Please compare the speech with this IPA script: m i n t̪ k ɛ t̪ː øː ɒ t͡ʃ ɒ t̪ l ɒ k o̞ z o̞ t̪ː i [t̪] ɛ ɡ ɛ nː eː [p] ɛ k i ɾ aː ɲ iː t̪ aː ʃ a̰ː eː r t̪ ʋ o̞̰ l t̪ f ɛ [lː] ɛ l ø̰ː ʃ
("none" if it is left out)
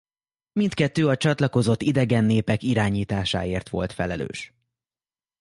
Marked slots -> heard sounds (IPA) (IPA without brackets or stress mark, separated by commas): d̪, p, l